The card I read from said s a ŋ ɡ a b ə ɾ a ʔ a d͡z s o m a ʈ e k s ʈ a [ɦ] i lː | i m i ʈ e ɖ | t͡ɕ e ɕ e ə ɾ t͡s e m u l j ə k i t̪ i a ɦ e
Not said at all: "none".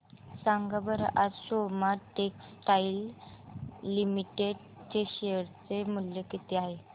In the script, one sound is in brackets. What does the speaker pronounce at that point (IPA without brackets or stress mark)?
none